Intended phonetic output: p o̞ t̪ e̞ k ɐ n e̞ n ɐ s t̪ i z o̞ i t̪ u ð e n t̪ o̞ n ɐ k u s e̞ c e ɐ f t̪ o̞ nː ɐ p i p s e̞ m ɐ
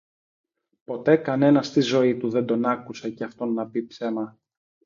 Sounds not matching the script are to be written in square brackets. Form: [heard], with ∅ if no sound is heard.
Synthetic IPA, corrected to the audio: p o̞ t̪ e̞ k ɐ n e̞ n ɐ s t̪ i z o̞ i t̪ u ð e n [d̪] o̞ n ɐ k u s e̞ c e ɐ f t̪ o̞ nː ɐ p i p s e̞ m ɐ